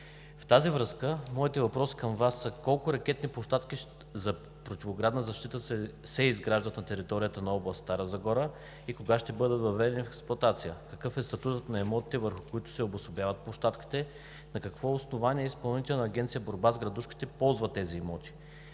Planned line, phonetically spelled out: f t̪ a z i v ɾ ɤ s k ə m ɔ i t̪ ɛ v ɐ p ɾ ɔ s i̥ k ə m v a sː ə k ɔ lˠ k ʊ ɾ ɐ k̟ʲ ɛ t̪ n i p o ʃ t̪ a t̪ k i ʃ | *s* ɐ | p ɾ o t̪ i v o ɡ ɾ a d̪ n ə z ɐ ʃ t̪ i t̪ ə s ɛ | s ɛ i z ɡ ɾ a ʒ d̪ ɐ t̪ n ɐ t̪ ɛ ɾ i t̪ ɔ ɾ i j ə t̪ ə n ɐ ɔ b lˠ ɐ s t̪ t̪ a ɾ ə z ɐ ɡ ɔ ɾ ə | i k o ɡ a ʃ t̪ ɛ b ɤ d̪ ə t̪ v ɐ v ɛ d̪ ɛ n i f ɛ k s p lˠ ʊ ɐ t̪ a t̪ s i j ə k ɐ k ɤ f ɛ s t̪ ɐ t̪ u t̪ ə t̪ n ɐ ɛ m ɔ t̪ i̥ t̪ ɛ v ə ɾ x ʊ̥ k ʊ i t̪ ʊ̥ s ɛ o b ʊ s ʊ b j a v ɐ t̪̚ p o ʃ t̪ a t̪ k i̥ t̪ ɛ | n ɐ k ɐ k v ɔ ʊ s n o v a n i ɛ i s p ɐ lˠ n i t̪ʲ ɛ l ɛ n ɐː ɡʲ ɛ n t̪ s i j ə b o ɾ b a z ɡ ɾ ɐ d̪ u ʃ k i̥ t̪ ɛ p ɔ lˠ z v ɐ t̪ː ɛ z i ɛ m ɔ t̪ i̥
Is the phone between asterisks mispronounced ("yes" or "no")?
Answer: yes